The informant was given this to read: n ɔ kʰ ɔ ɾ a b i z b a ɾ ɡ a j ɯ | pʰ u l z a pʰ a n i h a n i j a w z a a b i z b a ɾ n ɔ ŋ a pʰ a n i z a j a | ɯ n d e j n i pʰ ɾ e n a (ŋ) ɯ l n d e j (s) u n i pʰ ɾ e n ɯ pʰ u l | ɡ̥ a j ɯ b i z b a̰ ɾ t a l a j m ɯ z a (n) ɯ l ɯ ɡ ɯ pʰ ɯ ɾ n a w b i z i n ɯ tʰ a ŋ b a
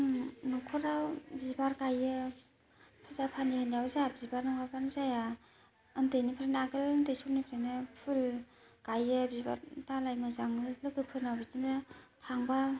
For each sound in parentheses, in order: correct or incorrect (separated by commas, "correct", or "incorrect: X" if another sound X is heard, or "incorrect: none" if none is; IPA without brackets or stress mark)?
incorrect: ɡ, correct, incorrect: ŋ